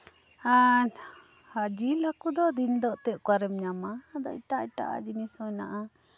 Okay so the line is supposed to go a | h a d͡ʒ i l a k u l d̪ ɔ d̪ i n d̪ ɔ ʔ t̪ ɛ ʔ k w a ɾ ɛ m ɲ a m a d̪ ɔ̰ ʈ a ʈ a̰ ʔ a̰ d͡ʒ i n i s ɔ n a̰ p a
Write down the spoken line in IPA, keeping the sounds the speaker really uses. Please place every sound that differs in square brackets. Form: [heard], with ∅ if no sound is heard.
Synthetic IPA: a | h a d͡ʒ i l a k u [∅] d̪ ɔ d̪ i n d̪ ɔ ʔ t̪ ɛ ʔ k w a ɾ ɛ m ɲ a m a d̪ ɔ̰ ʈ a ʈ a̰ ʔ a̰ d͡ʒ i n i s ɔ n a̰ [ʔ] a